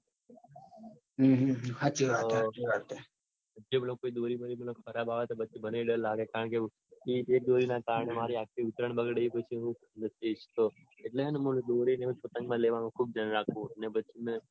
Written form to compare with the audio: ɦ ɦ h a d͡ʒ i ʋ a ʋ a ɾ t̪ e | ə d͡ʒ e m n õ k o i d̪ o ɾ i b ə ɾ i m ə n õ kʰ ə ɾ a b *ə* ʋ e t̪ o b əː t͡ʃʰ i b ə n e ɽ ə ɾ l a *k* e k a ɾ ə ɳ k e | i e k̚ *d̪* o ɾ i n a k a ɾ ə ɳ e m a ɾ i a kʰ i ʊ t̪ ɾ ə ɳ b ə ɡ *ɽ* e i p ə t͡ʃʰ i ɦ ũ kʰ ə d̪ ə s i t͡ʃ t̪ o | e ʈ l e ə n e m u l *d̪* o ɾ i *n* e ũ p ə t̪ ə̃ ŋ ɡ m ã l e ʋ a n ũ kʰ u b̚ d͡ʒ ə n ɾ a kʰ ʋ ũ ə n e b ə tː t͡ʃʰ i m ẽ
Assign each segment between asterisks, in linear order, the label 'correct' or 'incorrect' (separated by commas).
incorrect, incorrect, correct, correct, correct, correct